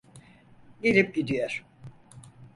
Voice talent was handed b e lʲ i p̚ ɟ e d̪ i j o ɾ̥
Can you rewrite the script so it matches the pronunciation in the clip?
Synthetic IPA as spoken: ɟ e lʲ i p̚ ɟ i d̪ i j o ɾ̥